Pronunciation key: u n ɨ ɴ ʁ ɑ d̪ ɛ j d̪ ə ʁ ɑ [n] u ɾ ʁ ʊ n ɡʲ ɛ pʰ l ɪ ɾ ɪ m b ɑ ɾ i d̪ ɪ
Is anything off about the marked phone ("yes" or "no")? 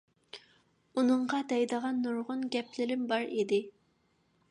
yes